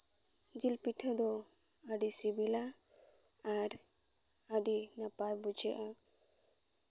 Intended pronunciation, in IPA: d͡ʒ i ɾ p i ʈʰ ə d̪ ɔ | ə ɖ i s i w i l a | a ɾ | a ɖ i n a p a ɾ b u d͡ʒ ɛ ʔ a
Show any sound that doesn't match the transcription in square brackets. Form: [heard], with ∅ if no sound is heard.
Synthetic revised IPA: d͡ʒ i [l] p i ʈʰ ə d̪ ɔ | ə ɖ i s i [b] i l a | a ɾ | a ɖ i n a p a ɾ b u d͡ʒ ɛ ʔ a